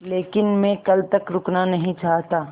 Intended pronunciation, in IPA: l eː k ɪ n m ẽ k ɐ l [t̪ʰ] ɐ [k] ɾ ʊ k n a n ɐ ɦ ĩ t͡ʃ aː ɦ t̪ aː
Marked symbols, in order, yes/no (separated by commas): no, yes